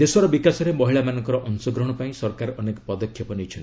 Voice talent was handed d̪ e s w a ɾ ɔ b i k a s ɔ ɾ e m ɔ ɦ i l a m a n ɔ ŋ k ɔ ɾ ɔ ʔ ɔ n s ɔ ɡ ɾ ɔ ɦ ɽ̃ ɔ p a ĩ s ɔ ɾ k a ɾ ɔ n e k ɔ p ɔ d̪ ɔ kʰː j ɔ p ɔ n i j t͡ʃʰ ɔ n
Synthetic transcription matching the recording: d̪ e s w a ɾ ɔ b i k a s ɔ ɾ e m ɔ ɦ i ɭ a m a n ɔ ŋ k ɔ ɾ ɔ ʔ ɔ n s ɔ ɡ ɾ ɔ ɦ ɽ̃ ɔ p a ĩ s ɔ ɾ k a ɾ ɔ n e k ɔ p ɔ d̪ ɔ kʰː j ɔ p ɔ n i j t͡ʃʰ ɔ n

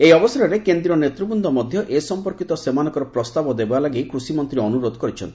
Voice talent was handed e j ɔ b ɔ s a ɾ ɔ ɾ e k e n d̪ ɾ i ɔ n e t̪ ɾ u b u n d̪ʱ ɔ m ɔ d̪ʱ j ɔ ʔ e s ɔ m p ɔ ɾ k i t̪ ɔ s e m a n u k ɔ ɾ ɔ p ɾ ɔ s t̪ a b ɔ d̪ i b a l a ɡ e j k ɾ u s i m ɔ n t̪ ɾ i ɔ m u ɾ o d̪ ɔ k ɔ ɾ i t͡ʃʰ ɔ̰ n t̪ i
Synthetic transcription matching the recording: e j ɔ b ɔ s a ɾ ɔ ɾ e k e n d̪ ɾ i ɔ n e t̪ ɾ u b u n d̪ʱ ɔ m ɔ d̪ʱ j ɔ ʔ e s ɔ m p ɔ ɾ k i t̪ ɔ s e m a n ɔ k ɔ ɾ ɔ p ɾ ɔ s t̪ a b ɔ d̪ e b a l a ɡ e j k ɾ u s i m ɔ n t̪ ɾ i ɔ n u ɾ o d̪ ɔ k ɔ ɾ i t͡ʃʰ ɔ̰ n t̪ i

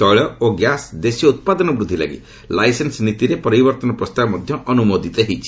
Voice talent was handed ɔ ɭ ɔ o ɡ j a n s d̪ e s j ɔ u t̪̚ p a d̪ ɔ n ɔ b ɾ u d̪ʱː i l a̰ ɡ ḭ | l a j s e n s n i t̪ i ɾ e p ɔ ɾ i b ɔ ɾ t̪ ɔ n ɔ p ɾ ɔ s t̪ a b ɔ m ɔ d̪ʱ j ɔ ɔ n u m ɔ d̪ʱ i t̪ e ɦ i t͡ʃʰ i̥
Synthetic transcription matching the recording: ɔ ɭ ɔ o ɡ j a s d̪ e s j ɔ u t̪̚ p a d̪ ɔ n ɔ b ɾ u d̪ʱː i l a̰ ɡ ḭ | l a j s e n s n i t̪ i ɾ e p ɔ ɾ i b ɔ ɾ t̪ ɔ n ɔ p ɾ ɔ s t̪ a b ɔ m ɔ d̪ʱ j ɔ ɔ n u m o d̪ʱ i t̪ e ɦ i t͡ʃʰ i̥

